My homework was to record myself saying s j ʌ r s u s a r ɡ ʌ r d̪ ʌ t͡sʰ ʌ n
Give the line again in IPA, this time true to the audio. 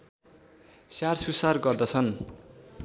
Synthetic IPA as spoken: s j a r s u s a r ɡ ʌ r d̪ ʌ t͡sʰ ʌ n